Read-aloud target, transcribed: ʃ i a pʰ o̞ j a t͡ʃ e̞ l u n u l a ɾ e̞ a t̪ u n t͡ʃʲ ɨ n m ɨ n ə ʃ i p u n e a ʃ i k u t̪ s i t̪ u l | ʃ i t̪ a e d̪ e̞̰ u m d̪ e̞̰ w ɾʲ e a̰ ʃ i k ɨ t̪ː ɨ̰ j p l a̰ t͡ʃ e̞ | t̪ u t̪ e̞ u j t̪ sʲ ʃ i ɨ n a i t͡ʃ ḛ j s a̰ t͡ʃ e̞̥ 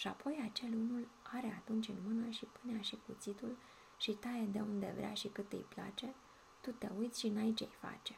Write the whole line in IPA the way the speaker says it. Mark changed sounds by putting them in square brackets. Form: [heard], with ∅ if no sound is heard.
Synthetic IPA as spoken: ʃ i a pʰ o̞ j a t͡ʃ e̞ l u n u l a ɾ e̞ a t̪ u n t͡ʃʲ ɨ n m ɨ n ə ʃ i p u n e a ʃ i k u t̪ s i t̪ u l | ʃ i t̪ a e d̪ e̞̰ u [n] d̪ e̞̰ [v] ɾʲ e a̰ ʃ i k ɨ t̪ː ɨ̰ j p l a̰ t͡ʃ e̞ | t̪ u t̪ e̞ u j t̪ sʲ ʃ i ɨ n a i t͡ʃ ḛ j [f] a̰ t͡ʃ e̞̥